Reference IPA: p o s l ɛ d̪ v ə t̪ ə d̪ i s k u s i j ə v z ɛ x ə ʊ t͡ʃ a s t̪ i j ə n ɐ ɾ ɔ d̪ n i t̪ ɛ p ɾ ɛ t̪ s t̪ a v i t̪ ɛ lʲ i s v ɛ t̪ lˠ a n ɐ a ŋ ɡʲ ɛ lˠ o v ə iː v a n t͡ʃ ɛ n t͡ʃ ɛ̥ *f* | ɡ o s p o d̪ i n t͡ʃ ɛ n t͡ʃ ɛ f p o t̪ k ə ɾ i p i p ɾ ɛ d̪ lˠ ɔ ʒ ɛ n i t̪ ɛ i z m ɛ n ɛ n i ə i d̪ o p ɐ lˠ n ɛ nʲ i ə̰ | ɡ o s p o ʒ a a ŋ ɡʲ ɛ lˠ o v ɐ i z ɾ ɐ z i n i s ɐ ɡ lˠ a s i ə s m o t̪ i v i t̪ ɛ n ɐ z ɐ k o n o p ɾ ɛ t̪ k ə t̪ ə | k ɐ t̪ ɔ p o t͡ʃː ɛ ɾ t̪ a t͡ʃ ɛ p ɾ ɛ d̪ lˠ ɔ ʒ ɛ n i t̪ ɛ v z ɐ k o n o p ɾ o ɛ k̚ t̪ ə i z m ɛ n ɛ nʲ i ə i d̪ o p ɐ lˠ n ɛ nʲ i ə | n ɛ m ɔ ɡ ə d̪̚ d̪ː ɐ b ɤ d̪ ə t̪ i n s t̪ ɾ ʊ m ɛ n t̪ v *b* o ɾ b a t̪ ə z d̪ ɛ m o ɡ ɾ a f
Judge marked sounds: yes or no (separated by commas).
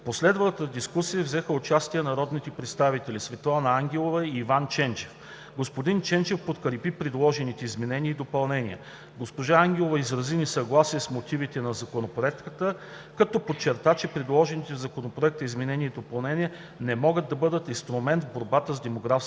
yes, yes